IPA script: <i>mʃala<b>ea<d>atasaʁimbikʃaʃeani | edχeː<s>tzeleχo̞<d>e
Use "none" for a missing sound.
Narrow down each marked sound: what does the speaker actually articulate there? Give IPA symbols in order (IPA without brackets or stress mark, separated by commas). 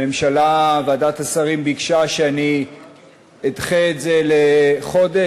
e, v, d, none, d